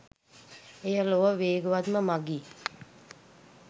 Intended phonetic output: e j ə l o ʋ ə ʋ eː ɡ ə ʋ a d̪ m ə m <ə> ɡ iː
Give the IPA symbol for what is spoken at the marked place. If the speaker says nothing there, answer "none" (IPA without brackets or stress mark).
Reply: a